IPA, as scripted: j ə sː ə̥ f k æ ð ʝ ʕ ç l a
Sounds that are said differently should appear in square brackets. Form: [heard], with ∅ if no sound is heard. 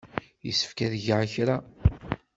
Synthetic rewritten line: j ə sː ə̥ f k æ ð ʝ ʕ ç [ɾ] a